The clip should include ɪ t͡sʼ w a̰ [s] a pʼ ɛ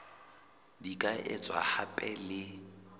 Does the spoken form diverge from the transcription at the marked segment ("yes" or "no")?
yes